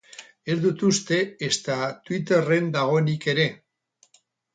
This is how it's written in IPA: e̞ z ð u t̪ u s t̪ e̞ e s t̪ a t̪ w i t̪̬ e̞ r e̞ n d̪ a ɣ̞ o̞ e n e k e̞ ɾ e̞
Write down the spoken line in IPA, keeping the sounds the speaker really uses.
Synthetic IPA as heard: e̞ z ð u t̪ u s t̪ e̞ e s t̪ a t̪ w i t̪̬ e̞ r e̞ n d̪ a ɣ̞ o̞ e n i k e̞ ɾ e̞